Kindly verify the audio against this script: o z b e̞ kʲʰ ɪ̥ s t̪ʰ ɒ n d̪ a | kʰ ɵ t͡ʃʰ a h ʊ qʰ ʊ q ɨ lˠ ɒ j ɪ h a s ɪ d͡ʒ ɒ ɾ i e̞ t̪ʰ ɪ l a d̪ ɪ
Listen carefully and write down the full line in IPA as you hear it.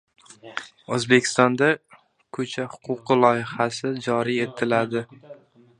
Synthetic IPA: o z b e̞ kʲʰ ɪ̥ s t̪ ɒ n d̪ a | kʰ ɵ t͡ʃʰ a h ʊ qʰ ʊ q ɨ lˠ ɒ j ɪ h a s ɪ d͡ʒ ɒ ɾ i e̞ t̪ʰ ɪ l a d̪ ɪ